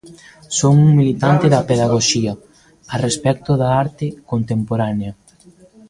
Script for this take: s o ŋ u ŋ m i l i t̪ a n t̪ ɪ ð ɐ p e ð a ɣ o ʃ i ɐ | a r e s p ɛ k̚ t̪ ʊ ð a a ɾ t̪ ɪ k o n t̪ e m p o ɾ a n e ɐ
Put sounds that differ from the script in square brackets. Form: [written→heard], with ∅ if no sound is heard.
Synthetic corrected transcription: s o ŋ u ŋ m i l i t̪ a n t̪ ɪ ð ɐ p e ð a ɣ o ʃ i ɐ | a r e s p ɛ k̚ t̪ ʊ ð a a ɾ t̪ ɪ k o n t̪ e m p o ɾ a n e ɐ